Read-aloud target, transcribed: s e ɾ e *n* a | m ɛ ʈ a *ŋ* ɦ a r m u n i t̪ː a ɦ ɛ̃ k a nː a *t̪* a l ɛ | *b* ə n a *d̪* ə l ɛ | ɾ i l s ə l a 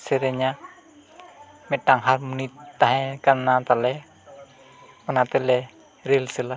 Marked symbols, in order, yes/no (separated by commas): no, yes, yes, no, no